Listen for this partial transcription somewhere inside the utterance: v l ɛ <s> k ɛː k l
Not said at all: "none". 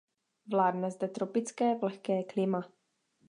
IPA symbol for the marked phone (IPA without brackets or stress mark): x